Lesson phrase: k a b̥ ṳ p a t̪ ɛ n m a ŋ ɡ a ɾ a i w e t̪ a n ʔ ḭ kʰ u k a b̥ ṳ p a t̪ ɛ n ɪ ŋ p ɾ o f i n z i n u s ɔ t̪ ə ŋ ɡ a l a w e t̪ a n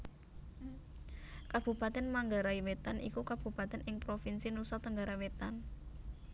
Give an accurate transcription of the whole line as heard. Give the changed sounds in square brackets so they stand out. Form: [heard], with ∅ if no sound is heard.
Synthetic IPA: k a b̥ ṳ p a t̪ ɛ n m a ŋ ɡ a ɾ a i w e t̪ a n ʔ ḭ [k] u k a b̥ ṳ p a t̪ ɛ n ɪ ŋ p ɾ o f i n [s] i n u s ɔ t̪ ə ŋ ɡ a [ɾ] a w e t̪ a n